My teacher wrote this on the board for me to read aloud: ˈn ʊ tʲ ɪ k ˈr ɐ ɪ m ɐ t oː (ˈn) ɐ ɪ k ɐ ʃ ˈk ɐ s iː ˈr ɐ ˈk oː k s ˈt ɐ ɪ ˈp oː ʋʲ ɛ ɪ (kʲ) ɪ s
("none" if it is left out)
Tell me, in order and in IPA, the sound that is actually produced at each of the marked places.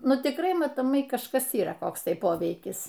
m, kʲ

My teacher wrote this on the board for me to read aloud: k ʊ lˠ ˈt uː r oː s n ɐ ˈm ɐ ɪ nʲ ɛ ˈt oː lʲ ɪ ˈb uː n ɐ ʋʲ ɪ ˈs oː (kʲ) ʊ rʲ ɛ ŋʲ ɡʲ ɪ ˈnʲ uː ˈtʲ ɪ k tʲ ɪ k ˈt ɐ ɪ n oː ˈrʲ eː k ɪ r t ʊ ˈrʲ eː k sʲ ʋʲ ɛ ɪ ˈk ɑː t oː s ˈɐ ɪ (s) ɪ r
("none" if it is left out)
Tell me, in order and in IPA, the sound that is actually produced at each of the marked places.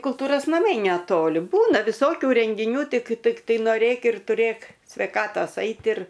kʲ, t

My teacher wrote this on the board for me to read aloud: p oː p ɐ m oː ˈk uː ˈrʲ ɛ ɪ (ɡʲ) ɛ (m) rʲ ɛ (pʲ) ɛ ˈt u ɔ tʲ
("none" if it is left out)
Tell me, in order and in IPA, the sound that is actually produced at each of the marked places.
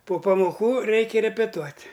kʲ, none, pʲ

